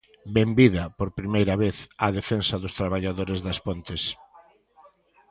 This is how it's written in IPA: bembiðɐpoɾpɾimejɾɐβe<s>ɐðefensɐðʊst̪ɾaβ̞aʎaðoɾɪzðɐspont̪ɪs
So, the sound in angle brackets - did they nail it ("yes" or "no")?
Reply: no